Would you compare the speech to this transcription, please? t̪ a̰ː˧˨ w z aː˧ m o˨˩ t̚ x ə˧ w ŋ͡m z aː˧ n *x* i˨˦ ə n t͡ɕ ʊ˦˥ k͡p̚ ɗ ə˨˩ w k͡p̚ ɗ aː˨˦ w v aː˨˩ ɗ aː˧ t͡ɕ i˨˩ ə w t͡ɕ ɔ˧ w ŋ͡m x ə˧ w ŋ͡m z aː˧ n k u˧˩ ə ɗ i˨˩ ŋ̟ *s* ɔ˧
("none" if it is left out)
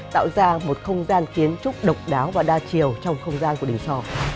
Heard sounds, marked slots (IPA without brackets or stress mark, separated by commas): x, s